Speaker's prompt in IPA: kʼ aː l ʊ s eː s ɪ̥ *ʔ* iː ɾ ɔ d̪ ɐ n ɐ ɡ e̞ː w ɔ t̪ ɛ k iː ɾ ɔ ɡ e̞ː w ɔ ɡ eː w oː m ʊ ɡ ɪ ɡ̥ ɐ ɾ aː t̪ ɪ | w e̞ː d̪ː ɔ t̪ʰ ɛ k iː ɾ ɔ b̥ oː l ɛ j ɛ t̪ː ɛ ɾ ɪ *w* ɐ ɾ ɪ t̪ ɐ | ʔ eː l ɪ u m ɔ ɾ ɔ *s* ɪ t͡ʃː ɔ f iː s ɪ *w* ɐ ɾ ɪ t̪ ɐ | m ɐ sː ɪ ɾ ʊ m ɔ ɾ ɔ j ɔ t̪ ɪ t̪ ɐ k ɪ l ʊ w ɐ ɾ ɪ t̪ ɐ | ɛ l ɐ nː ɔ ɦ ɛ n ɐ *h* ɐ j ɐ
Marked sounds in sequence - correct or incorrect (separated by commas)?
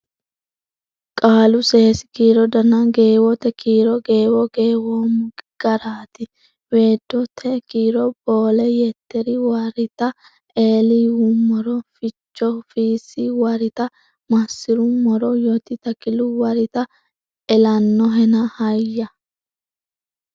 incorrect, correct, incorrect, correct, correct